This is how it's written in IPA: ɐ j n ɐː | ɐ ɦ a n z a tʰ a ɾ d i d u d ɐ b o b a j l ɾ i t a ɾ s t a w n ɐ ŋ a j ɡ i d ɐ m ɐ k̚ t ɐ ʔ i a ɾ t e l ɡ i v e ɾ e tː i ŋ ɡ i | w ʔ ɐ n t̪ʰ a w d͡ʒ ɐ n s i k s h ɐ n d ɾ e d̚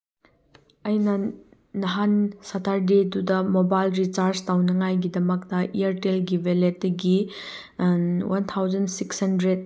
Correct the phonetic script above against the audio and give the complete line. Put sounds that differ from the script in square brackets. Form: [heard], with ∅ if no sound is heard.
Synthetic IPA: ɐ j n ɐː | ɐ ɦ a n [s] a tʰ a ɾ d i d u d ɐ [m] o b a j l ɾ i [t͡ʃ] a ɾ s t a w n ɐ ŋ a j ɡ i d ɐ m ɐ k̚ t ɐ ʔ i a ɾ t e l ɡ i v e [l] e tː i [∅] ɡ i | w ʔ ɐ n t̪ʰ a w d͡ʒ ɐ n s i k s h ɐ n d ɾ e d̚